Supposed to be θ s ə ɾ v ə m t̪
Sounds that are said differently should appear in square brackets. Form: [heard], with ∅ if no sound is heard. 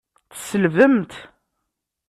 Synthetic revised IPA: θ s ə [l] v ə m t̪